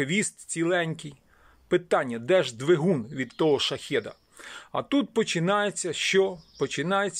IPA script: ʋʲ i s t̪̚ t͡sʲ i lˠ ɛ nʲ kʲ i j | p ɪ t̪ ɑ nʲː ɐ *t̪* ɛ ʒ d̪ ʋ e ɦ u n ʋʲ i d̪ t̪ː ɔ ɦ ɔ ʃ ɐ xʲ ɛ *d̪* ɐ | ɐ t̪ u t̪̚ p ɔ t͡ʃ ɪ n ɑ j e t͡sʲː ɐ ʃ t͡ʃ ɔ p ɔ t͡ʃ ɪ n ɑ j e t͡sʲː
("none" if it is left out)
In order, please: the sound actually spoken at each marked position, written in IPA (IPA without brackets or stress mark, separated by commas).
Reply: d̪, d̪